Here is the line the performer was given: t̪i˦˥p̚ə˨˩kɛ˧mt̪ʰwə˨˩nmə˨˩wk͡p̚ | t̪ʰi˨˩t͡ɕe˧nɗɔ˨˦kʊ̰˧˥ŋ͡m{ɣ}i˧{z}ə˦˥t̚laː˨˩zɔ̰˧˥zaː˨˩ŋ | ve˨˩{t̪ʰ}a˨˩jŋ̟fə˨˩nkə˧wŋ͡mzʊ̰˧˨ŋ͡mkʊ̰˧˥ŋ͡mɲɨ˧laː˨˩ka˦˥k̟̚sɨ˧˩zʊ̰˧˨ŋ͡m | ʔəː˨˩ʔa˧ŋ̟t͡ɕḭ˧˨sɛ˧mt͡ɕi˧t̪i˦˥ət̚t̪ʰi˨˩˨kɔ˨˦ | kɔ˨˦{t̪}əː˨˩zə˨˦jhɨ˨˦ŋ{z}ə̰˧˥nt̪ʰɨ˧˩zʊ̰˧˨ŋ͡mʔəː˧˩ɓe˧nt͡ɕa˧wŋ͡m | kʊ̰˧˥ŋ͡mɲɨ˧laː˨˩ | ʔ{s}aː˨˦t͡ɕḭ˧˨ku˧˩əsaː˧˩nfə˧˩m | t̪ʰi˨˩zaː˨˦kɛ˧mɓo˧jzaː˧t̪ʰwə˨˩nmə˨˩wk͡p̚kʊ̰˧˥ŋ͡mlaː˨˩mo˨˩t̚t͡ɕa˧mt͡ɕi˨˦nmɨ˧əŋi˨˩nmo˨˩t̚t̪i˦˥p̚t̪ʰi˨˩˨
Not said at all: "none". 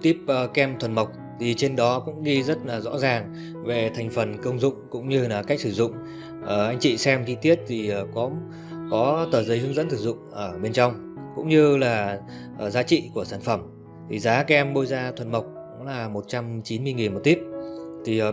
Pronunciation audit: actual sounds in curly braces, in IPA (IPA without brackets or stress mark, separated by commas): ɣ, z, t̪ʰ, t̪, z, z